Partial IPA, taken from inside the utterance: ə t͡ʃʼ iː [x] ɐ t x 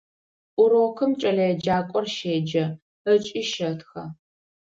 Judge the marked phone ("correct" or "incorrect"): incorrect